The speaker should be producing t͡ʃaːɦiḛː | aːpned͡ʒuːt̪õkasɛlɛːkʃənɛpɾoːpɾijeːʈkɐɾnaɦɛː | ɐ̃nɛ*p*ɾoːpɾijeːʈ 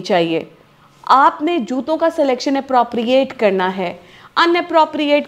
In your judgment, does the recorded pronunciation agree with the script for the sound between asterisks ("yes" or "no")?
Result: yes